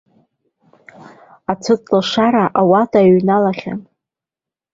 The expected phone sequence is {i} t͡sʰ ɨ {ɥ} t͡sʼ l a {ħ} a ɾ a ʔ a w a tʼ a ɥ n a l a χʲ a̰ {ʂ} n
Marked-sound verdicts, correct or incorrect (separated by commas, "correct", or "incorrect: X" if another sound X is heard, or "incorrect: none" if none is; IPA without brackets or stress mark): incorrect: a, incorrect: none, incorrect: ʂ, incorrect: none